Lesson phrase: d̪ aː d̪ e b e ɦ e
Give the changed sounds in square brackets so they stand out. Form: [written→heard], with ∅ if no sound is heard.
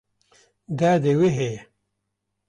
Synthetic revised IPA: d̪ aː d̪ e [b→w] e ɦ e